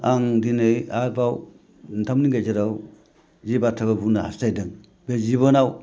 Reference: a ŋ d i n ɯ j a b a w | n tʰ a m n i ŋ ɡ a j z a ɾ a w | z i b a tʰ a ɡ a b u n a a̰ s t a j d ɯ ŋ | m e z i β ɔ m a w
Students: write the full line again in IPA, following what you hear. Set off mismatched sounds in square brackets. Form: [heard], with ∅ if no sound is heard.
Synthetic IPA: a ŋ d i n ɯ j a b a w | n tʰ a m n i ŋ ɡ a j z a ɾ a w | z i b a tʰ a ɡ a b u n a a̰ s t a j d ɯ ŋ | [b] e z i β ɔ [n] a w

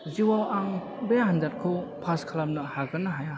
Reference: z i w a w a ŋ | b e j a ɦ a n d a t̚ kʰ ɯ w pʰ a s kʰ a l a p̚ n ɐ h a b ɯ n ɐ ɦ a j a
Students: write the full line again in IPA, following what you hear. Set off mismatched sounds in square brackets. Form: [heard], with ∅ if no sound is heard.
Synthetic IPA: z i w a w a ŋ | b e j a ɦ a n d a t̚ kʰ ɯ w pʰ a s kʰ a l a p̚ n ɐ h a [ɡ] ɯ n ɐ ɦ a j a

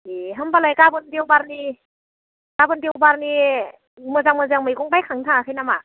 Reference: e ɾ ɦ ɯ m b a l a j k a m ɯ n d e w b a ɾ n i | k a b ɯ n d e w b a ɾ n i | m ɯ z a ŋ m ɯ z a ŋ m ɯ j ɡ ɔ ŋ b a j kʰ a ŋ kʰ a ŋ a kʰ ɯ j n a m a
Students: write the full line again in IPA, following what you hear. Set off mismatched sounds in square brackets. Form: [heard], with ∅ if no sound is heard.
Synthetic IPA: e [∅] ɦ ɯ m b a l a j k a [b] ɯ n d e w b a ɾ n i | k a b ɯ n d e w b a ɾ n i | m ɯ z a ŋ m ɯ z a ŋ m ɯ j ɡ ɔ ŋ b a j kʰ a ŋ [tʰ] a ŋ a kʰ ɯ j n a m a

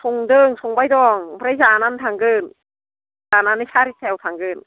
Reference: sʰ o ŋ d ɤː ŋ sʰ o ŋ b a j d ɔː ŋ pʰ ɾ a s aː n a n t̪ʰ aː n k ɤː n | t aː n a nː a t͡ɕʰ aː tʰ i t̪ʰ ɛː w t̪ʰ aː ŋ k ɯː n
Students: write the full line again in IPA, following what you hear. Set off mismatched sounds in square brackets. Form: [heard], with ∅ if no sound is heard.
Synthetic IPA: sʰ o ŋ d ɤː ŋ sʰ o ŋ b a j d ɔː ŋ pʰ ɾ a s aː n a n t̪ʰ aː [ŋ] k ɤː n | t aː n a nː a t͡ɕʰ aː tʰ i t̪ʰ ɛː w t̪ʰ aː ŋ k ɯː n

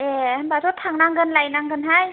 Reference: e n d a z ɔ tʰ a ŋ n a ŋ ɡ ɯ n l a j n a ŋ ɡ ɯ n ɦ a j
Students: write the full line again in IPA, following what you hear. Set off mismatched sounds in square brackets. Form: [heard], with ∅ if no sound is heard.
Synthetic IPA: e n [b] a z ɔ tʰ a ŋ n a ŋ ɡ ɯ n l a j n a ŋ ɡ ɯ n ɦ a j

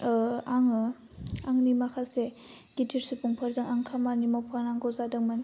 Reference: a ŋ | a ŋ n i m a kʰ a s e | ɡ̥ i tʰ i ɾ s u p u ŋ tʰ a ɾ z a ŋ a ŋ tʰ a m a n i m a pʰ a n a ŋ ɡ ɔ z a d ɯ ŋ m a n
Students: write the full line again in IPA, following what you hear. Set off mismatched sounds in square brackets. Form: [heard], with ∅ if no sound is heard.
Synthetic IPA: a ŋ | a ŋ n i m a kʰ a s e | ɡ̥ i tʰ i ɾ s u p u ŋ [pʰ] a ɾ z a ŋ a ŋ [kʰ] a m a n i m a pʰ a n a ŋ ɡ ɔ z a d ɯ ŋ m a n

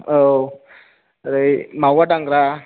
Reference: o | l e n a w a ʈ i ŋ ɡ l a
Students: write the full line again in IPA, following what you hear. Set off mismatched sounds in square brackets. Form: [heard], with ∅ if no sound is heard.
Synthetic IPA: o | [ɾ] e [m] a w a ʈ [a] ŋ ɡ [ɾ] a

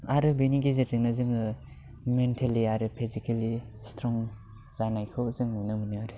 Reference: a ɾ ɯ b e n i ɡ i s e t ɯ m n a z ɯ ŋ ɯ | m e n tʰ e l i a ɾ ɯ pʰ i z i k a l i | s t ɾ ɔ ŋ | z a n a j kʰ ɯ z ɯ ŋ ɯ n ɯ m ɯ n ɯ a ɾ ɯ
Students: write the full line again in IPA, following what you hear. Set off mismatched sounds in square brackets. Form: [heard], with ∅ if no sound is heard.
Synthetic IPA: a ɾ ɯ b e n i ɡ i [z] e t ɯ [ŋ] n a z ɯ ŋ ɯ | m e n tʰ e l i a ɾ ɯ pʰ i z i k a l i | s t ɾ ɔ ŋ | z a n a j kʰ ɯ z ɯ ŋ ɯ n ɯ m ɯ n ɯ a ɾ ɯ

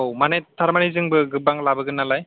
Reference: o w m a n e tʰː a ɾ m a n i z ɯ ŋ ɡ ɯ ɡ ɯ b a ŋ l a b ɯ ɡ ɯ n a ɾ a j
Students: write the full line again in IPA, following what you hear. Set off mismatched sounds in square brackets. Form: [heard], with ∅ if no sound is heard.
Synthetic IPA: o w m a n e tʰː a ɾ m a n i z ɯ ŋ [b] ɯ ɡ ɯ b a ŋ l a b ɯ ɡ ɯ n a [l] a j

